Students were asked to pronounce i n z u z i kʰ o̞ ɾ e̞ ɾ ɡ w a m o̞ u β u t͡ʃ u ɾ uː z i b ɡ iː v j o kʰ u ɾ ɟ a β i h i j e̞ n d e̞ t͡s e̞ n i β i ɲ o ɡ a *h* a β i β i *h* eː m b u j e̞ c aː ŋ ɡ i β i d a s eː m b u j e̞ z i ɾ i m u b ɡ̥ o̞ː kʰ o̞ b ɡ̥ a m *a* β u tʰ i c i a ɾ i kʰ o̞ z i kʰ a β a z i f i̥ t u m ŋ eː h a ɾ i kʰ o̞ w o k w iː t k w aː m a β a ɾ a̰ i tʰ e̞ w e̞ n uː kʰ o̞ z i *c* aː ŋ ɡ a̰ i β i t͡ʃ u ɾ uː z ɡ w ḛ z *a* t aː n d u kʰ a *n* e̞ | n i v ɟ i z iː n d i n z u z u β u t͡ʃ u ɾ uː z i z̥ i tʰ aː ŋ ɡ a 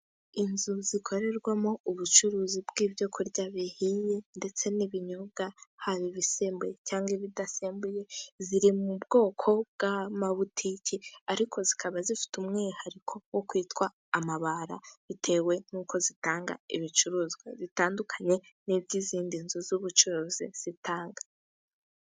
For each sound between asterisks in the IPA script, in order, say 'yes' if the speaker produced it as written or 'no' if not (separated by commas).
yes, no, yes, no, no, no